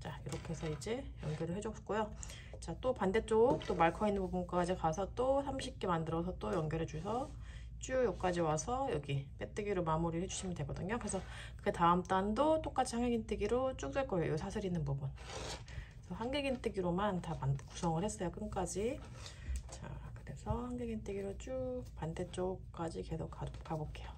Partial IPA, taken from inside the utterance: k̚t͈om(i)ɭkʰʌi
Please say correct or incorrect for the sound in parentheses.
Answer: incorrect: a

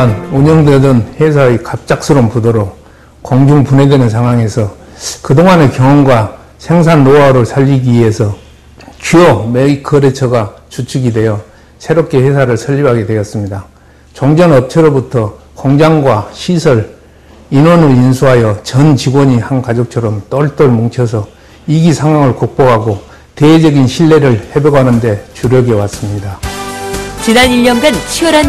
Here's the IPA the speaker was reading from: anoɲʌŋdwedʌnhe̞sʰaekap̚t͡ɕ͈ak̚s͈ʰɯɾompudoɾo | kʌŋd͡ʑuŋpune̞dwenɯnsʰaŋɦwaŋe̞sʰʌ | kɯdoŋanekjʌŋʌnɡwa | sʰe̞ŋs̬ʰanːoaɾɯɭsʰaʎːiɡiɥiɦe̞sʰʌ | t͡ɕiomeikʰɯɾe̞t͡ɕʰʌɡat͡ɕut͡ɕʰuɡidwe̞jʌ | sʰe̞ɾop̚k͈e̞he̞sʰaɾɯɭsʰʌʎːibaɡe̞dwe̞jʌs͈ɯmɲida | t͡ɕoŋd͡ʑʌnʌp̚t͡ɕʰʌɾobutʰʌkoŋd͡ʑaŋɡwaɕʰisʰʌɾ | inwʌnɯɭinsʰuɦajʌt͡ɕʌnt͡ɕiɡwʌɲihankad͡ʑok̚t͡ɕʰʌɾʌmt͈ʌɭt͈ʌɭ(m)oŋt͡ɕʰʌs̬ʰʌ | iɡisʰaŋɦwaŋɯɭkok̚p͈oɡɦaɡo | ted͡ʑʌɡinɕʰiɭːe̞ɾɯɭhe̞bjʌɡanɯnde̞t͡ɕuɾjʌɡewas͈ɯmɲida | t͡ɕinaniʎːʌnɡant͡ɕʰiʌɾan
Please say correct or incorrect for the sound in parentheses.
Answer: correct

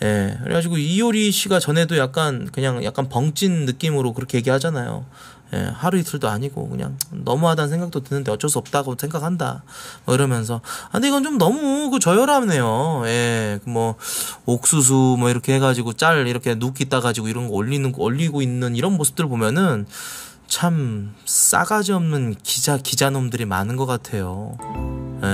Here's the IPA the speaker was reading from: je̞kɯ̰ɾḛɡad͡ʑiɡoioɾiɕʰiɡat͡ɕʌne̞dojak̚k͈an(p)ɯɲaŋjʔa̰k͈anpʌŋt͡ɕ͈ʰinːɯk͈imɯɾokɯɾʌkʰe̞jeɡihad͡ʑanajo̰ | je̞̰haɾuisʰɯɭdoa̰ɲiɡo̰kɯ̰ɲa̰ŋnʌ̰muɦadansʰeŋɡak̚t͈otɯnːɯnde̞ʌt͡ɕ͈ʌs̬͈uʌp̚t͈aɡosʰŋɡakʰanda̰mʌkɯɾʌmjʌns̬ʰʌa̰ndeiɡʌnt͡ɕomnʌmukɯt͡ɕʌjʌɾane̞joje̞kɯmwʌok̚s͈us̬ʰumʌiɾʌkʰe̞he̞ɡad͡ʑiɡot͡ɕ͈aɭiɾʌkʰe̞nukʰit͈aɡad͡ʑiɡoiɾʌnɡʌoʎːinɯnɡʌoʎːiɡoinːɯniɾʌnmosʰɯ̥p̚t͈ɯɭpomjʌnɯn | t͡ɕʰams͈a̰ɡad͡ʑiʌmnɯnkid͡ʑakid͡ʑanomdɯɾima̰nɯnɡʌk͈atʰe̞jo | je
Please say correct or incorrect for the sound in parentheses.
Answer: incorrect: k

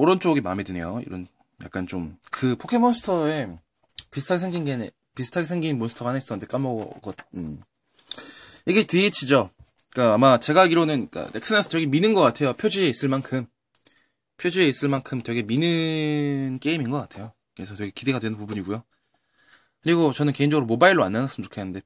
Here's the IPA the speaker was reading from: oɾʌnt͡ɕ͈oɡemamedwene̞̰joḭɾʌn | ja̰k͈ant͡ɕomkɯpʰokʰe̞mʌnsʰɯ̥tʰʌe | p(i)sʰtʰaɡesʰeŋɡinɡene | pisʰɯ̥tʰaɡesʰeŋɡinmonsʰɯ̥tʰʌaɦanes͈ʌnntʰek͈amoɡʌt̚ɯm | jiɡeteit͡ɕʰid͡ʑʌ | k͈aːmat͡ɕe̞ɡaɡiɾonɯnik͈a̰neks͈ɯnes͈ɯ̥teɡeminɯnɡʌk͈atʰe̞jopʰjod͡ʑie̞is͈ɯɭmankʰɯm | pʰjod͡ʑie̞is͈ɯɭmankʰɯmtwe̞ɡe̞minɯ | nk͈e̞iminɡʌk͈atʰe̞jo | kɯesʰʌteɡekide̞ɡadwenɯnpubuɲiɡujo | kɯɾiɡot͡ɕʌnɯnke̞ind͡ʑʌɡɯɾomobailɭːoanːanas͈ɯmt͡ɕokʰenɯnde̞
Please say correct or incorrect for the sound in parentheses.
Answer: correct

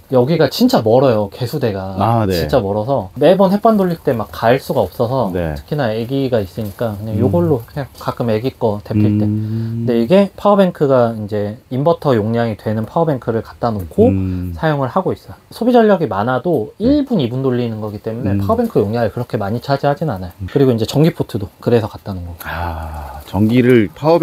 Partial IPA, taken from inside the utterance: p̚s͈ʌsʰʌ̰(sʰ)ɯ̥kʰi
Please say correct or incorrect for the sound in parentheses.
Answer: incorrect: tʰ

